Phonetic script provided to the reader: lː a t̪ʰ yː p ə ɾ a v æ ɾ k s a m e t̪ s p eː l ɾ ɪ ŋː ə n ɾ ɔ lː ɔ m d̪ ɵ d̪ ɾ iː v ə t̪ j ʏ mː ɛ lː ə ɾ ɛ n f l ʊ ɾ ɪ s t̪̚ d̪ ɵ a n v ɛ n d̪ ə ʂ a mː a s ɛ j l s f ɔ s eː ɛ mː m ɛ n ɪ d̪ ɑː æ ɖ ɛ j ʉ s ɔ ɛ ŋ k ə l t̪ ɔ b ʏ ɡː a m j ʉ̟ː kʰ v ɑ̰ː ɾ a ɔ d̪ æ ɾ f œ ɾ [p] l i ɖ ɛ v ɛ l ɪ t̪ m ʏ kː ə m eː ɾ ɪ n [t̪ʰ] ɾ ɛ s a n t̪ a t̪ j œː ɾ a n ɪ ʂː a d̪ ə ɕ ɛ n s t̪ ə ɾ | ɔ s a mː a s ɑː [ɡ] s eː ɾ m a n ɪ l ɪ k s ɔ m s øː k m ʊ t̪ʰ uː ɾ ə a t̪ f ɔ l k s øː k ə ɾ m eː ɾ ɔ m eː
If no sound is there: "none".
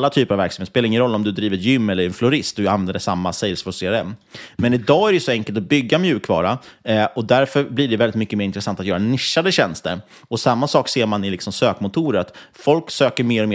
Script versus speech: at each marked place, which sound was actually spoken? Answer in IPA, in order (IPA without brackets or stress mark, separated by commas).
b, t̪, k